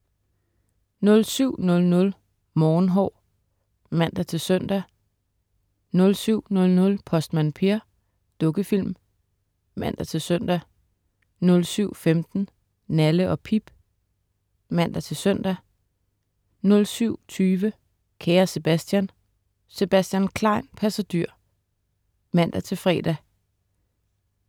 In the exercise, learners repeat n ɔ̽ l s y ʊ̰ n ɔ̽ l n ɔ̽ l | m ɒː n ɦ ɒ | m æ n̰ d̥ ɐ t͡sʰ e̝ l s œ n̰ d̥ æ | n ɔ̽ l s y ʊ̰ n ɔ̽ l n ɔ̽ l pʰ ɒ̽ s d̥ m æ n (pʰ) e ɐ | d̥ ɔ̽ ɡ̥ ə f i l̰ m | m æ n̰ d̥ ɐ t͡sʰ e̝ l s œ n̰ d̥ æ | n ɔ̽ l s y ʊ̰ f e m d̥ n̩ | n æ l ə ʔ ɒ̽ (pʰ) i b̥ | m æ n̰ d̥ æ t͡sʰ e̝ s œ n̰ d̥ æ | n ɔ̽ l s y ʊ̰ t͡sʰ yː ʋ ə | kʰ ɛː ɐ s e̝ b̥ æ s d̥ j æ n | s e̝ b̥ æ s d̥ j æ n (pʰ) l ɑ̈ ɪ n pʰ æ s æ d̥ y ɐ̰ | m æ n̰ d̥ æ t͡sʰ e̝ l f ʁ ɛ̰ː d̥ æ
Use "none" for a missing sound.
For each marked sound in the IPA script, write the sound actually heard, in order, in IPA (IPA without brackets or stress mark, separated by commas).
pʰ, pʰ, kʰ